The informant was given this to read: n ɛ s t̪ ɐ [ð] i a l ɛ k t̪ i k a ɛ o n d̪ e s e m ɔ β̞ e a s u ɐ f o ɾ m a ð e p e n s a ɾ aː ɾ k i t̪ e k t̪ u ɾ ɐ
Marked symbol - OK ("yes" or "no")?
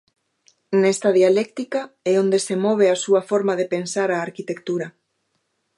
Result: yes